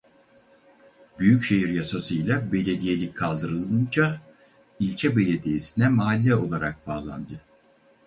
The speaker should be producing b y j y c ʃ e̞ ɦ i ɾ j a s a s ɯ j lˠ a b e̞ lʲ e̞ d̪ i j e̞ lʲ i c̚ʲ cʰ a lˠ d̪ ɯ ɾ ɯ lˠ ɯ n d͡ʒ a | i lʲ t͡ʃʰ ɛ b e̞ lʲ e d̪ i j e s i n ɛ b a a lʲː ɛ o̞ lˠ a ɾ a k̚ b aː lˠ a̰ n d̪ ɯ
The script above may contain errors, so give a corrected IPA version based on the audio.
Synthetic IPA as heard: b y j y c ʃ e̞ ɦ i ɾ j a s a s ɯ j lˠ a b e̞ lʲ e̞ d̪ i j e̞ lʲ i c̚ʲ kʰ a lˠ d̪ ɯ ɾ ɯ lˠ ɯ n d͡ʒ a | i lʲ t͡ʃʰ ɛ b e̞ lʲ e d̪ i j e s i n ɛ m a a lʲː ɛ o̞ lˠ a ɾ a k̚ b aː lˠ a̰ n d̪ ɯ